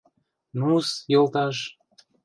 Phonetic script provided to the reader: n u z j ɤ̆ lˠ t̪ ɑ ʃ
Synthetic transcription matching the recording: n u s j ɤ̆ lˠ t̪ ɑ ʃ